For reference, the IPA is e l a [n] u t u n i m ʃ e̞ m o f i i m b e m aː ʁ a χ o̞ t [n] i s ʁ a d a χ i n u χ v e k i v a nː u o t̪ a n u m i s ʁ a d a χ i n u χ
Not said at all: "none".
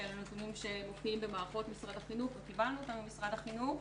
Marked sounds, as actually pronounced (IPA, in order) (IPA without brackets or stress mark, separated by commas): n, m